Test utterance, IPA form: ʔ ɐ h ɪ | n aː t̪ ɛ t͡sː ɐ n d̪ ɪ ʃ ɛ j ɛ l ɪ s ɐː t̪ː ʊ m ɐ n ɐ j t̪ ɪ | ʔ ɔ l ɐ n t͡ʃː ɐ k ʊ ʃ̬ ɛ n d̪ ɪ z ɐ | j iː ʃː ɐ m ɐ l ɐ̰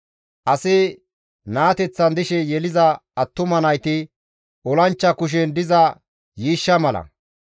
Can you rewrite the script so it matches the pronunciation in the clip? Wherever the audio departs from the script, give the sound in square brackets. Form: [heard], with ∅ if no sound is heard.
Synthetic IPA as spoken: ʔ ɐ [s] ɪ | n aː t̪ ɛ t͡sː ɐ n d̪ ɪ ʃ ɛ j ɛ l ɪ [z] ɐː t̪ː ʊ m ɐ n ɐ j t̪ ɪ | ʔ ɔ l ɐ n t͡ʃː ɐ k ʊ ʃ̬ ɛ n d̪ ɪ z ɐ | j iː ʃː ɐ m ɐ l ɐ̰